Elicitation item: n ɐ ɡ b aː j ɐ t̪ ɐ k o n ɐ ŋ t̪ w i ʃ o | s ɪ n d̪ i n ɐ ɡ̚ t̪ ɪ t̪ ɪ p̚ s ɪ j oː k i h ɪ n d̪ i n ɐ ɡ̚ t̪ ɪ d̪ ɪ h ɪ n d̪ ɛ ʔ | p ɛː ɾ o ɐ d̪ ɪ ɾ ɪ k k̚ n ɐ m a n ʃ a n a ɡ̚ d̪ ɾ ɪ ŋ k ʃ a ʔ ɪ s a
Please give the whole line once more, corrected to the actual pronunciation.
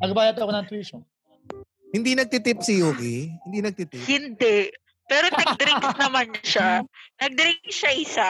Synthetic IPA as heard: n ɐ ɡ b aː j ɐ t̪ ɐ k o n ɐ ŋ t̪ w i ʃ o | h ɪ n d̪ i n ɐ ɡ̚ t̪ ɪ t̪ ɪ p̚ s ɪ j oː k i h ɪ n d̪ i n ɐ ɡ̚ t̪ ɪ t̪ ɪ h ɪ n d̪ ɛ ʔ | p ɛː ɾ o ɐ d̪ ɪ ɾ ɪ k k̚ n ɐ m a n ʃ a n ɐ ɡ̚ d̪ ɾ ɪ ŋ k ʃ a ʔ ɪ s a